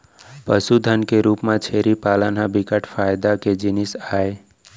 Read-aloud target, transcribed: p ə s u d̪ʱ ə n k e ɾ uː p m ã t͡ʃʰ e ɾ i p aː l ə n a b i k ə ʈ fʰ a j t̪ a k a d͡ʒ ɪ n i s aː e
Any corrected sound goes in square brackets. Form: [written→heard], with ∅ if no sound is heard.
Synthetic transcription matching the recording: p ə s u d̪ʱ ə n k e ɾ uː p m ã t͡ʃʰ e ɾ i p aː l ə n a b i k ə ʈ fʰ a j [t̪→d̪] a k [a→e] d͡ʒ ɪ n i s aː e